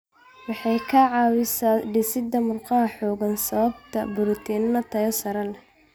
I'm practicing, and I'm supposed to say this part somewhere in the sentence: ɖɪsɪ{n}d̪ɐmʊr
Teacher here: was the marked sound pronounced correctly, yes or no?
no